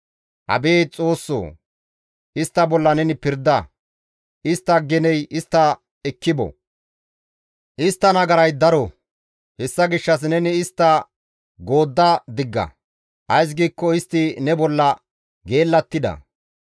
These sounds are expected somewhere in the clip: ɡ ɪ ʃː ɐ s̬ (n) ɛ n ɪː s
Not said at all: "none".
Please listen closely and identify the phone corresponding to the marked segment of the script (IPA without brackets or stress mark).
n